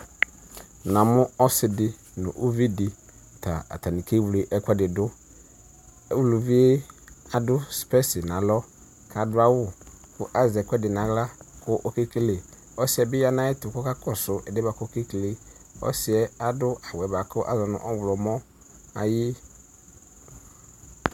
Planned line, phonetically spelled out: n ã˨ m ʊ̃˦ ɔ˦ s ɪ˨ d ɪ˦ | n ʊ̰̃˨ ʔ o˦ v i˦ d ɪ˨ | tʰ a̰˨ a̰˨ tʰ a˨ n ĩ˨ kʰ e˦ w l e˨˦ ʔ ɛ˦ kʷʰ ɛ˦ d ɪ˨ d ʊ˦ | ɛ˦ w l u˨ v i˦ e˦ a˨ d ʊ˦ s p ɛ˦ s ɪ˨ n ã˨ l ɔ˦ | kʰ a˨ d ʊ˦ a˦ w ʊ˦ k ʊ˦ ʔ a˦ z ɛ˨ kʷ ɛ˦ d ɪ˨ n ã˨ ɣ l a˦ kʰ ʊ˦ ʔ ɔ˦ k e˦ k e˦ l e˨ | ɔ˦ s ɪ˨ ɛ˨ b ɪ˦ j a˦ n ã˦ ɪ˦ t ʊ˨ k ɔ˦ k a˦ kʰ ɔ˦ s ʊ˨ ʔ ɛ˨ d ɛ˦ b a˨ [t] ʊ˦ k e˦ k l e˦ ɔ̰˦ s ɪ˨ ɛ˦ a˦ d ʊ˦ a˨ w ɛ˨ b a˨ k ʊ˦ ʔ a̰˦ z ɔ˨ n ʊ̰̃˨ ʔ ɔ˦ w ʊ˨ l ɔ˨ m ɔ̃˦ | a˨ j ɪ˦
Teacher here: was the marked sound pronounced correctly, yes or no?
no